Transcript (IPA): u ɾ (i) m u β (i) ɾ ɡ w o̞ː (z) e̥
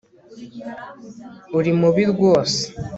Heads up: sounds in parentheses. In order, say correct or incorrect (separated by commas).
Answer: correct, correct, incorrect